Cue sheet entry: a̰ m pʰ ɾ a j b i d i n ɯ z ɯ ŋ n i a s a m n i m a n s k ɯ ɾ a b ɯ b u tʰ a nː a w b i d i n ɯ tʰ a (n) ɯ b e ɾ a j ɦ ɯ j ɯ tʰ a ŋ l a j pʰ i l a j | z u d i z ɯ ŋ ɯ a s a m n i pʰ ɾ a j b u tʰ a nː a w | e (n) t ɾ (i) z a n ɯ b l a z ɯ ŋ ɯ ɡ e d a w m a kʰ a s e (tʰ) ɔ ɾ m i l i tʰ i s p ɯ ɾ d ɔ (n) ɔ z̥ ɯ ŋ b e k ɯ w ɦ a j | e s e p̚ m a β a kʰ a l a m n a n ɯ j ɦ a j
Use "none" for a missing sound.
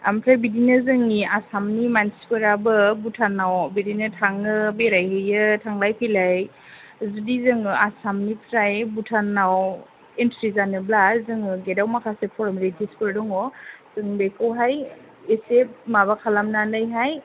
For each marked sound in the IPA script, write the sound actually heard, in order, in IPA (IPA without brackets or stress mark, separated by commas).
ŋ, n, i, pʰ, ŋ